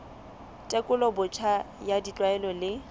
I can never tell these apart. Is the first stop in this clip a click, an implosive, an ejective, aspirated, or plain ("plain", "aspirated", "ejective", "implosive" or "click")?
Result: ejective